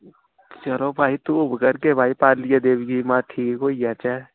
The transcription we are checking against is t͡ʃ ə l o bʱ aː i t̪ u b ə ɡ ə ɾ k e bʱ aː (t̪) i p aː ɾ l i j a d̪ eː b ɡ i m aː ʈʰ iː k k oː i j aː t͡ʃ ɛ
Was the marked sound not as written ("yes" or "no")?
yes